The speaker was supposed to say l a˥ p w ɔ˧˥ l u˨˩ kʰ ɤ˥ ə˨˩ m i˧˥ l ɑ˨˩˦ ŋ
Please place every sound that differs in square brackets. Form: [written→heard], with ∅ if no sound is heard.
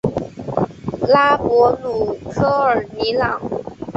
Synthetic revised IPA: l a˥ p w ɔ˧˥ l u˨˩ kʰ ɤ˥ ə˨˩ [m→n] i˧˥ l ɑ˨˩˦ ŋ